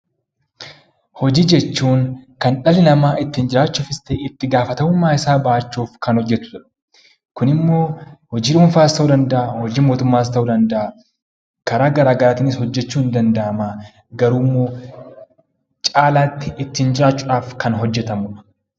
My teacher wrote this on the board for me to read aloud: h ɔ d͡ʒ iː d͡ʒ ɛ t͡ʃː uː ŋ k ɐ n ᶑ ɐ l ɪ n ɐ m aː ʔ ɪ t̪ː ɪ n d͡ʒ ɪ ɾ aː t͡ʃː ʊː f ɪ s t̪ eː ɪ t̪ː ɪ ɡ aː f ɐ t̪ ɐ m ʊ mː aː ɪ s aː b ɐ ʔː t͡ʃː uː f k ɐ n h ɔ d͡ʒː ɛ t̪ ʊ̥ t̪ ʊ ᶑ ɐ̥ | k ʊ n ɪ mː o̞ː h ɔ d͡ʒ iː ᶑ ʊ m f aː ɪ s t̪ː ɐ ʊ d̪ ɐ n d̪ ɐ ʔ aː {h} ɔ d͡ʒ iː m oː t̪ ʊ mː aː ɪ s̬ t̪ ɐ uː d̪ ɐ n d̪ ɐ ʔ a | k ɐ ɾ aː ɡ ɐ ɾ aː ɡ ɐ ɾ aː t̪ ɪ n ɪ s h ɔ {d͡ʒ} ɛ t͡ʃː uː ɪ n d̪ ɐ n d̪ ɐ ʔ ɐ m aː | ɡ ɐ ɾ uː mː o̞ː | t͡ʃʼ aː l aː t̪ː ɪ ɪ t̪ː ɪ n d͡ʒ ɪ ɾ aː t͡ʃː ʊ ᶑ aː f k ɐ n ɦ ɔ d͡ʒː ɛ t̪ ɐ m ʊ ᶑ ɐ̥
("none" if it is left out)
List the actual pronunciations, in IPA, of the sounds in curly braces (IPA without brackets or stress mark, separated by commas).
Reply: h, d͡ʒː